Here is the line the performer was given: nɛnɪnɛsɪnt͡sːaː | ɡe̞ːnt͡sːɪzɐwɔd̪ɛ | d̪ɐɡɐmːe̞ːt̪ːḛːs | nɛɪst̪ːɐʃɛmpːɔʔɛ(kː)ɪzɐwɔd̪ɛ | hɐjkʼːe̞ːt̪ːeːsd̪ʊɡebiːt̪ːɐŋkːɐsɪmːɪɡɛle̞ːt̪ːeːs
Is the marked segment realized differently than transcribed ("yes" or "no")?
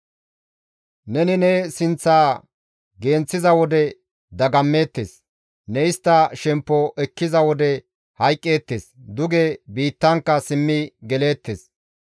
no